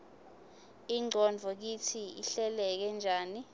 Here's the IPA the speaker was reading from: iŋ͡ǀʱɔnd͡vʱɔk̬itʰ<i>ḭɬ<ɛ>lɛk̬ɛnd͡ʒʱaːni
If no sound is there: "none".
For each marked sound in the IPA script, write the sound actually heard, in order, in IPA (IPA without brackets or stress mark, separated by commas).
i, ɛ